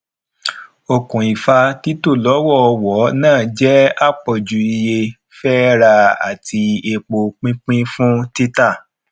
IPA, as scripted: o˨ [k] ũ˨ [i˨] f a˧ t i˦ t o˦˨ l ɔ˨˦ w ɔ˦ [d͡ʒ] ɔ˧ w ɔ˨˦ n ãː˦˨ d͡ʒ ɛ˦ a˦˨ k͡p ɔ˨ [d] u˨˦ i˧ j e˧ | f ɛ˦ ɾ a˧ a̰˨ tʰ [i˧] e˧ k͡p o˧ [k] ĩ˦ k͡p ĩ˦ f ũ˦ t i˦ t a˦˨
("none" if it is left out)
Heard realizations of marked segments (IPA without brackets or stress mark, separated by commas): k, i˨, none, d͡ʒ, i˧, k͡p